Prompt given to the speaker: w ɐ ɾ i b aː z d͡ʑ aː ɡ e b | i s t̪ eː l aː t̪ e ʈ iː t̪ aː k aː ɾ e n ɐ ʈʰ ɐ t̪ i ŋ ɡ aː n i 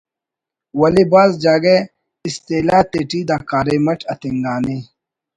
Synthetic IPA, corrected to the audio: w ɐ l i b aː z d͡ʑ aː ɡ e | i s t̪ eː l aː t̪ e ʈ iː d̪ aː k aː ɾ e m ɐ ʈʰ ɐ t̪ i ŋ ɡ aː n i